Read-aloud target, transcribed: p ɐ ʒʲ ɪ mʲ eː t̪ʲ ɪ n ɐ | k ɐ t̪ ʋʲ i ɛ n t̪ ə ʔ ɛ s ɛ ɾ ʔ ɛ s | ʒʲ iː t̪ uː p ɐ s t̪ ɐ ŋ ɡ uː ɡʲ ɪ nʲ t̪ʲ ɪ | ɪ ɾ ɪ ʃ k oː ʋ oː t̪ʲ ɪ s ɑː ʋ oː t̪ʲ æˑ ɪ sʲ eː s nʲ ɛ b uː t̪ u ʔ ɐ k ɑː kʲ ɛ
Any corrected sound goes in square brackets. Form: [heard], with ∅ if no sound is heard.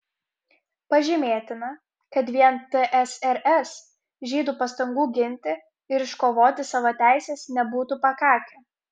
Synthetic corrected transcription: p ɐ ʒʲ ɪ mʲ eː t̪ʲ ɪ n ɐ | k ɐ t̪ ʋʲ i ɛ n t̪ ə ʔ ɛ s ɛ ɾ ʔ ɛ s | ʒʲ iː [d̪] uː p ɐ s t̪ ɐ ŋ ɡ uː ɡʲ ɪ nʲ t̪ʲ ɪ | ɪ ɾ ɪ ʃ k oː ʋ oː t̪ʲ ɪ s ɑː ʋ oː t̪ʲ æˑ ɪ sʲ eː s nʲ ɛ b uː t̪ u [p] ɐ k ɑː kʲ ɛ

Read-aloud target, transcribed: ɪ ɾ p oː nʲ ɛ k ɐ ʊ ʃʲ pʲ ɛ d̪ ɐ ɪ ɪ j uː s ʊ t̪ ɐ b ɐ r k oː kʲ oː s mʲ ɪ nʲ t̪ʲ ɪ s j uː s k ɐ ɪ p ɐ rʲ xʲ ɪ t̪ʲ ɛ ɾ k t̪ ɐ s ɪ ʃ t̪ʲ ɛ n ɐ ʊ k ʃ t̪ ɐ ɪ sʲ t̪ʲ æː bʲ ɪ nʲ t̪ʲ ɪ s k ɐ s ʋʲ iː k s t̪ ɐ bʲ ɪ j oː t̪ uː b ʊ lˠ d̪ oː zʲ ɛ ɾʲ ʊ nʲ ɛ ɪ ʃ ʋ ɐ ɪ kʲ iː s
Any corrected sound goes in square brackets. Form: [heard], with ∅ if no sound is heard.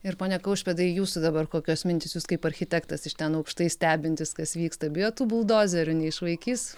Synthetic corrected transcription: ɪ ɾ p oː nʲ ɛ k ɐ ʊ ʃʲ pʲ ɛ d̪ ɐ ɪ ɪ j uː s ʊ [d̪] ɐ b ɐ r k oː kʲ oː s mʲ ɪ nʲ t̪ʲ ɪ s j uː s k ɐ ɪ p ɐ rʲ xʲ ɪ t̪ʲ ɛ [∅] k t̪ ɐ s ɪ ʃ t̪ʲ ɛ n ɐ ʊ k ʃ t̪ ɐ ɪ sʲ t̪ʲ æː bʲ ɪ nʲ t̪ʲ ɪ s k ɐ s ʋʲ iː k s t̪ ɐ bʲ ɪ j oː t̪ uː b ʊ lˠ d̪ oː zʲ ɛ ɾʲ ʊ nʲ ɛ ɪ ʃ ʋ ɐ ɪ kʲ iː s

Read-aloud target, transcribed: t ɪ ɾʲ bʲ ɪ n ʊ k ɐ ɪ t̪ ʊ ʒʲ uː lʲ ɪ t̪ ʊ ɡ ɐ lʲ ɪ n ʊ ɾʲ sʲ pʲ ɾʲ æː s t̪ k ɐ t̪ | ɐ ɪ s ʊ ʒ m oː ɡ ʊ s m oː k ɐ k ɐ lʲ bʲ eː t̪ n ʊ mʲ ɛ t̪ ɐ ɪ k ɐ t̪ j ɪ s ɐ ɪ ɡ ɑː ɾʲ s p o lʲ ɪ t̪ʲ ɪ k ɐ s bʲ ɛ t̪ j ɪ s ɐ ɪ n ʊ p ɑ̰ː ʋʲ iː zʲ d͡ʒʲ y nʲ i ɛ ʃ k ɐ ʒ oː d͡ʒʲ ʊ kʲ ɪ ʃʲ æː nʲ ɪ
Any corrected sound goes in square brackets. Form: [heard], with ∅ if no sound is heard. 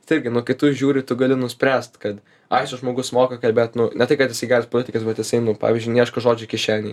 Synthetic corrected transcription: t ɪ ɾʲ [ɡʲ] ɪ n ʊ k ɐ ɪ t̪ ʊ ʒʲ uː [ɾʲ] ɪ t̪ ʊ ɡ ɐ lʲ ɪ n ʊ [∅] sʲ pʲ ɾʲ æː s t̪ k ɐ t̪ | ɐ ɪ s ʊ ʒ m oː ɡ ʊ s m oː k ɐ k ɐ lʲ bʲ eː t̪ n ʊ [nʲ] ɛ t̪ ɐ ɪ k ɐ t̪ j ɪ s ɐ ɪ ɡ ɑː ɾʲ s p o lʲ ɪ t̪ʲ ɪ k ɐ s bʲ ɛ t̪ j ɪ s ɐ ɪ n ʊ p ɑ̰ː ʋʲ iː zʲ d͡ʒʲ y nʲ i ɛ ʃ k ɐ ʒ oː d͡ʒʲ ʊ kʲ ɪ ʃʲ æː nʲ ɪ

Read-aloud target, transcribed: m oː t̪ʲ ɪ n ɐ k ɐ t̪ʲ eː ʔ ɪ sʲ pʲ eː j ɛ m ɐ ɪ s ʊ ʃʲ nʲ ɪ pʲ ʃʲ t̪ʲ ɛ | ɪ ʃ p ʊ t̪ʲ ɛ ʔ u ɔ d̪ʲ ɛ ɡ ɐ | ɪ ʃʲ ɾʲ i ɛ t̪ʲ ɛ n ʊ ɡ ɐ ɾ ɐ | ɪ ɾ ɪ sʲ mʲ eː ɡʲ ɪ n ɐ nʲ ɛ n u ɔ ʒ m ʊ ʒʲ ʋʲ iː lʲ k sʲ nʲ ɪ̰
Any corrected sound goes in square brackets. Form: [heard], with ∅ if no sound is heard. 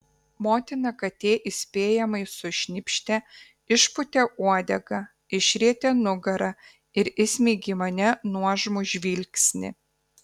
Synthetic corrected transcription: m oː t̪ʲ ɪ n ɐ k ɐ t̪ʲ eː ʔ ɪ sʲ pʲ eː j ɛ m ɐ ɪ s ʊ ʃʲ nʲ ɪ pʲ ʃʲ t̪ʲ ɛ | ɪ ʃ p ʊ t̪ʲ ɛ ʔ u ɔ d̪ʲ ɛ ɡ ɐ | ɪ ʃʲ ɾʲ i ɛ t̪ʲ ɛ n ʊ ɡ ɐ ɾ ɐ | ɪ ɾ ɪ sʲ mʲ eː ɡʲ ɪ [m] ɐ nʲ ɛ n u ɔ ʒ m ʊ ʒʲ ʋʲ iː lʲ k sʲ nʲ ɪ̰

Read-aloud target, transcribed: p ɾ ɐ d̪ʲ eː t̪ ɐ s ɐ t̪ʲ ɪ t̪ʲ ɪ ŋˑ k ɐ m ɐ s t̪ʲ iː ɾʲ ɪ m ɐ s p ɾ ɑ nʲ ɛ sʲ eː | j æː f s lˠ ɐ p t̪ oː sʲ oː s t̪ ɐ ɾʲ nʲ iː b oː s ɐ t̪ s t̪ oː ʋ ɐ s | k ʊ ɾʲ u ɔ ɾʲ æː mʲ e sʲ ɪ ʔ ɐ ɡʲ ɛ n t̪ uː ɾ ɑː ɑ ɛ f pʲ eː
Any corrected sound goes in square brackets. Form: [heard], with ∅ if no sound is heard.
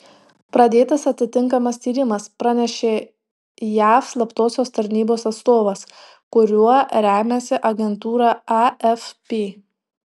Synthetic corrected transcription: p ɾ ɐ d̪ʲ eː t̪ ɐ s ɐ t̪ʲ ɪ t̪ʲ ɪ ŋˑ k ɐ m ɐ s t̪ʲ iː ɾʲ ɪ m ɐ s p ɾ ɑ nʲ ɛ [ʃʲ] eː | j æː f s lˠ ɐ p t̪ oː sʲ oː s t̪ ɐ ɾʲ nʲ iː b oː s ɐ t̪ s t̪ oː ʋ ɐ s | k ʊ ɾʲ u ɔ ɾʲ æː mʲ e sʲ ɪ ʔ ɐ ɡʲ ɛ n t̪ uː ɾ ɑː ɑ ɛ f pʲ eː

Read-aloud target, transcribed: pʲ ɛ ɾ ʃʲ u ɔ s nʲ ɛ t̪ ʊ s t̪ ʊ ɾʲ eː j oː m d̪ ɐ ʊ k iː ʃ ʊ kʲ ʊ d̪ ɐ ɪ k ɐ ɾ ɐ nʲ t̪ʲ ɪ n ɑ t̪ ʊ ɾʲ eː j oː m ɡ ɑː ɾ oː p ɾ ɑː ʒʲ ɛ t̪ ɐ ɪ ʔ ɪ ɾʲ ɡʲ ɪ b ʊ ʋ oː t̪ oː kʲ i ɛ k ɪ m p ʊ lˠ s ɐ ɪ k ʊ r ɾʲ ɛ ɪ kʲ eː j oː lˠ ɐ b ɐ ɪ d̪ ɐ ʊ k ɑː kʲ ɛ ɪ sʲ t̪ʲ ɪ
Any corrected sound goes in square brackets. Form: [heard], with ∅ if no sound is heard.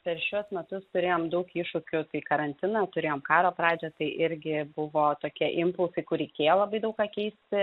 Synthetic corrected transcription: pʲ ɛ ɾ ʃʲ u ɔ s [mʲ] ɛ t̪ ʊ s t̪ ʊ ɾʲ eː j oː m d̪ ɐ ʊ k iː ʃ ʊ kʲ ʊ [t̪] ɐ ɪ k ɐ ɾ ɐ nʲ t̪ʲ ɪ n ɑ t̪ ʊ ɾʲ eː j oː m [k] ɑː ɾ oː p ɾ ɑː [d͡ʒʲ] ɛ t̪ ɐ ɪ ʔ ɪ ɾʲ ɡʲ ɪ b ʊ ʋ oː t̪ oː kʲ i ɛ [ʔ] ɪ m p ʊ lˠ s ɐ ɪ k ʊ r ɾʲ ɛ ɪ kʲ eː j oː lˠ ɐ b ɐ ɪ d̪ ɐ ʊ k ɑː kʲ ɛ ɪ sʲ t̪ʲ ɪ

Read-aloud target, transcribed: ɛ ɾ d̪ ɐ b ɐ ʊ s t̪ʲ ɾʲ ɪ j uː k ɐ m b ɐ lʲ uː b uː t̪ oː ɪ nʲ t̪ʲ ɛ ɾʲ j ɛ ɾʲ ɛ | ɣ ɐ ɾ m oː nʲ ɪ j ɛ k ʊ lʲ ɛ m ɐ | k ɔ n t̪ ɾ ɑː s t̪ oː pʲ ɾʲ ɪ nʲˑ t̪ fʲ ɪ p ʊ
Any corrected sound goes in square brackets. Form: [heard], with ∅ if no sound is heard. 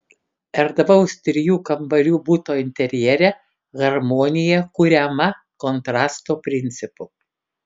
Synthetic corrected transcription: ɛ ɾ d̪ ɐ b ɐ ʊ s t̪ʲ ɾʲ ɪ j uː k ɐ m b ɐ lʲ uː b uː t̪ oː ɪ nʲ t̪ʲ ɛ ɾʲ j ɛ ɾʲ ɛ | ɣ ɐ ɾ m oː nʲ ɪ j ɛ k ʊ [ɾʲ] ɛ m ɐ | k ɔ n t̪ ɾ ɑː s t̪ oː pʲ ɾʲ ɪ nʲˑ t̪ [sʲ] ɪ p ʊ

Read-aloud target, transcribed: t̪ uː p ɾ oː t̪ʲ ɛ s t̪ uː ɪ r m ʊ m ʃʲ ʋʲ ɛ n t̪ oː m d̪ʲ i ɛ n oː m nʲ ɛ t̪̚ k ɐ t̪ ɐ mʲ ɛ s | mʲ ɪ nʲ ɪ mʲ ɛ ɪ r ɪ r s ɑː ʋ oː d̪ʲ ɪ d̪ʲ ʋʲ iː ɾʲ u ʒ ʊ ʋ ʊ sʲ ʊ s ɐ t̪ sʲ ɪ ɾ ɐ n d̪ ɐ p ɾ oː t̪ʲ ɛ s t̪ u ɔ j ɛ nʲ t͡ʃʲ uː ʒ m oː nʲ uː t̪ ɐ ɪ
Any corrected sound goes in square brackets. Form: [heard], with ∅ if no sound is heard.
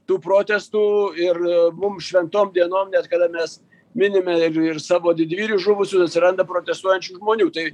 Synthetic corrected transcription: t̪ uː p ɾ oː t̪ʲ ɛ s t̪ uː ɪ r m ʊ m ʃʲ ʋʲ ɛ n t̪ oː m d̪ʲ i ɛ n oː m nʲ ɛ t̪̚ k ɐ [d̪] ɐ mʲ ɛ s | mʲ ɪ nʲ ɪ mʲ ɛ ɪ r ɪ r s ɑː ʋ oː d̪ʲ ɪ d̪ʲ ʋʲ iː ɾʲ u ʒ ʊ ʋ ʊ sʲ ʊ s ɐ t̪ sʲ ɪ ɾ ɐ n d̪ ɐ p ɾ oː t̪ʲ ɛ s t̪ u ɔ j ɛ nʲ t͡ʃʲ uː ʒ m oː nʲ uː t̪ ɐ ɪ

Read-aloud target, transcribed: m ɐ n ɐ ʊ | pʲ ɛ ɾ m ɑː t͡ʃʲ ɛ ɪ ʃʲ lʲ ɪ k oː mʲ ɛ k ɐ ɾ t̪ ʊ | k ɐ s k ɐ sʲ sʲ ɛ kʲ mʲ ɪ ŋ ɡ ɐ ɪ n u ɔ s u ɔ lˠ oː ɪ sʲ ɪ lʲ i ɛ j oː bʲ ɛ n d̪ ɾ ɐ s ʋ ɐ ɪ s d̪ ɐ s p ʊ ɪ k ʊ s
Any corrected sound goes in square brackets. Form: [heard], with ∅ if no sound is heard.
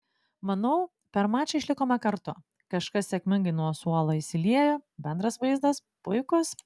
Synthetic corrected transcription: m ɐ n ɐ ʊ | pʲ ɛ ɾ m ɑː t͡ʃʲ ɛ ɪ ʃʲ lʲ ɪ k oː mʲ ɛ k ɐ ɾ t̪ ʊ | k ɐ [ʃ] k ɐ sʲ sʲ ɛ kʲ mʲ ɪ ŋ ɡ ɐ ɪ n u ɔ s u ɔ lˠ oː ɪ sʲ ɪ lʲ i ɛ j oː bʲ ɛ n d̪ ɾ ɐ s ʋ ɐ ɪ [z] d̪ ɐ s p ʊ ɪ k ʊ s

